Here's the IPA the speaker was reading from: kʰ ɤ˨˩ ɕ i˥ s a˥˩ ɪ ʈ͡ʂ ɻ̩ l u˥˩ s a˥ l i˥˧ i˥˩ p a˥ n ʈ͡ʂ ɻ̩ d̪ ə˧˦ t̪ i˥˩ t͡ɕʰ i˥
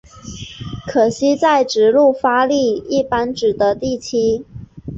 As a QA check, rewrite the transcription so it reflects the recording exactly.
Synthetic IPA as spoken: kʰ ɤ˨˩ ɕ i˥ t͡s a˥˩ ɪ ʈ͡ʂ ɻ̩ l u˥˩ f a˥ l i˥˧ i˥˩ p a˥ n ʈ͡ʂ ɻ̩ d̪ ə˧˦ t̪ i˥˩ t͡ɕʰ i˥